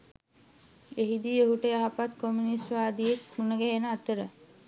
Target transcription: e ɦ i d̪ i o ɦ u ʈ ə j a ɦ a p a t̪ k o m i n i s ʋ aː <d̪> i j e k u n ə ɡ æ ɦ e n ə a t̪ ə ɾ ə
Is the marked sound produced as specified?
yes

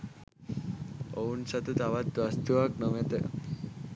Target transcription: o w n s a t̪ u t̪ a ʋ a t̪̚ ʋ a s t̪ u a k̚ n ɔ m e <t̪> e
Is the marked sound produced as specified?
yes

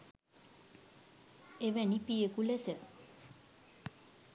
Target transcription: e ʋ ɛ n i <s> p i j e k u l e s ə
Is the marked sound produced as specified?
no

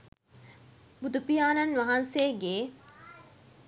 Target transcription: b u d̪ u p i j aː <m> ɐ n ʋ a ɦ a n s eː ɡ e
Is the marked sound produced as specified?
no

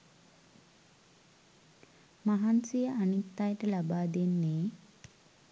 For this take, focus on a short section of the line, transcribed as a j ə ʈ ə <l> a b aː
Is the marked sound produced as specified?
yes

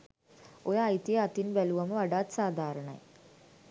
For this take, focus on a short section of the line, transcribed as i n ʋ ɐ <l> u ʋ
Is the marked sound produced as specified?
yes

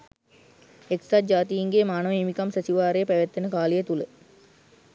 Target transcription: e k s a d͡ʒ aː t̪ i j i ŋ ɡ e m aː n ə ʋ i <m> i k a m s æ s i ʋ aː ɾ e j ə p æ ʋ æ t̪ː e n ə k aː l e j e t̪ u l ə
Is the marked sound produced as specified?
yes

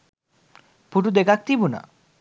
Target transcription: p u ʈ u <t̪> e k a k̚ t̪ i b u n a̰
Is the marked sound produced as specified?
no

